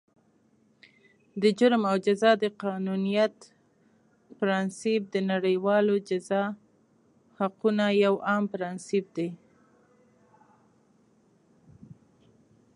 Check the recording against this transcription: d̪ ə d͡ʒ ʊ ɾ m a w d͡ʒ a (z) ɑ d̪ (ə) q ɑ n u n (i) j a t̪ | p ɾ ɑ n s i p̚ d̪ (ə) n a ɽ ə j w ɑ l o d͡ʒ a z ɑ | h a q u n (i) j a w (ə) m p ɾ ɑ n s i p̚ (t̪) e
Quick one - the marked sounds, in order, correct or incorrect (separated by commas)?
correct, correct, correct, correct, incorrect, incorrect, incorrect